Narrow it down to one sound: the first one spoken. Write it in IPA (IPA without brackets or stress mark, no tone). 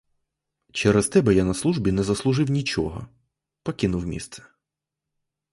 t͡ʃ